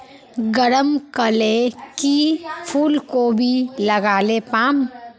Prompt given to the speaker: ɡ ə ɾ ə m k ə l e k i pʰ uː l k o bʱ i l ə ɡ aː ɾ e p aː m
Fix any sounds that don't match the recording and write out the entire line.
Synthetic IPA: ɡ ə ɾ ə m k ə l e k i pʰ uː l k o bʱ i l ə ɡ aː l e p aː m